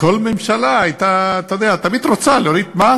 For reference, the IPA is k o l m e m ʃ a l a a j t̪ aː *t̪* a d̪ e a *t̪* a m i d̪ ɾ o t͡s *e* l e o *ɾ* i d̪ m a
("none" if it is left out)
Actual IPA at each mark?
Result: t̪, t̪, a, ɾ

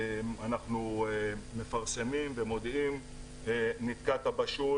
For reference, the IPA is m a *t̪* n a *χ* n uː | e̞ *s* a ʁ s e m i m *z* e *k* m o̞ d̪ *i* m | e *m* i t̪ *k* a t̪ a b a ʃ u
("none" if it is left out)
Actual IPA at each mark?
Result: none, χ, f, v, none, i, n, k

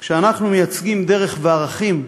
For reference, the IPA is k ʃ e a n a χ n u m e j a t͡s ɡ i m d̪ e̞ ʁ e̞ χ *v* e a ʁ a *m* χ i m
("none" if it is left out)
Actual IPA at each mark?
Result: v, none

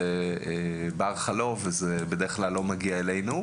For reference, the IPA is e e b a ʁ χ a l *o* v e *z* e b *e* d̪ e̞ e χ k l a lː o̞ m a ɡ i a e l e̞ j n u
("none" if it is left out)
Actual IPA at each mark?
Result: o, z, e

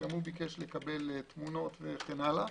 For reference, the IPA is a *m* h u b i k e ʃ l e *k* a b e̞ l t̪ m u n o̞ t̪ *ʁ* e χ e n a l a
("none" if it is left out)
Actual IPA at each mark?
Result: m, k, v

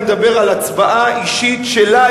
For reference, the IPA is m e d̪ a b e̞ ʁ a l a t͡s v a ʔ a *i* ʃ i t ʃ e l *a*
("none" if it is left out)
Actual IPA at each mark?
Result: i, a

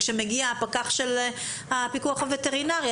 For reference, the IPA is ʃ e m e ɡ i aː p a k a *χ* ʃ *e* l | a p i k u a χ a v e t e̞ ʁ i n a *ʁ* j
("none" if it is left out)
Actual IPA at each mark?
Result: χ, e, ʁ

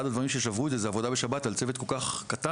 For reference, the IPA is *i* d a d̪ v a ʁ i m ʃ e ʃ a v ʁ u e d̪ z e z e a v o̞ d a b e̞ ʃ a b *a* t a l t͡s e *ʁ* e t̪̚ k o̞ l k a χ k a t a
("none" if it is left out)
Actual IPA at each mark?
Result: a, a, v

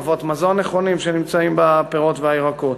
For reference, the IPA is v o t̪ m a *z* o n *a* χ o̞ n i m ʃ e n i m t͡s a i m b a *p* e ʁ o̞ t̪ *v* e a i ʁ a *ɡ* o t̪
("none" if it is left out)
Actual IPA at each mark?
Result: z, e, p, v, k

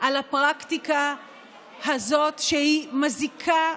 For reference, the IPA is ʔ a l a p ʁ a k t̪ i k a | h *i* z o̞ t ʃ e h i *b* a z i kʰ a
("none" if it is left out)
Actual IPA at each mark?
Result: a, m

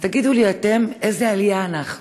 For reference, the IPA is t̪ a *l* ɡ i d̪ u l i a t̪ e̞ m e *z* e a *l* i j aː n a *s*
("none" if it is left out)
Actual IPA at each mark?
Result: none, z, l, χ

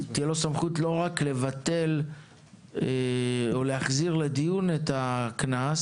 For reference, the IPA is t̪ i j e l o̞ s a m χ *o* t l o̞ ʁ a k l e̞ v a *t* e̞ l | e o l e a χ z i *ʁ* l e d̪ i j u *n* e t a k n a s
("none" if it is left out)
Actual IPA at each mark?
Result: u, t, ʁ, n

